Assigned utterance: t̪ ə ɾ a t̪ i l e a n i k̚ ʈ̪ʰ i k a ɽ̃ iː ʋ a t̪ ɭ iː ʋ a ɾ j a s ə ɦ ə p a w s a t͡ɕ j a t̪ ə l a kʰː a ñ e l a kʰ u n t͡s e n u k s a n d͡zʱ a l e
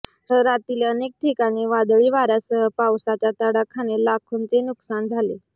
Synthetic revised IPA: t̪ ə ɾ a t̪ i l e ə n e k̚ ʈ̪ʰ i k a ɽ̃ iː ʋ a d̪ ɭ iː ʋ a ɾ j a s ə ɦ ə p a w s a t͡ɕ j a t̪ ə ɽ a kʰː a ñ e l a kʰ u n t͡s e n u k s a n d͡zʱ a l e